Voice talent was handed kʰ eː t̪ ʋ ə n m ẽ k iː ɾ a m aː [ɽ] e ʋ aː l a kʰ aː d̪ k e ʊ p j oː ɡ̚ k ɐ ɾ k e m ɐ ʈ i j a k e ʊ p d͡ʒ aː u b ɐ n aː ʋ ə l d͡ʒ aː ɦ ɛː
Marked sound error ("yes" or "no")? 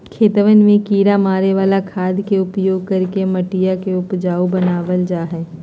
yes